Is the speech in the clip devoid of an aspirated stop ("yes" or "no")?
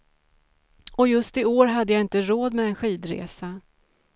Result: yes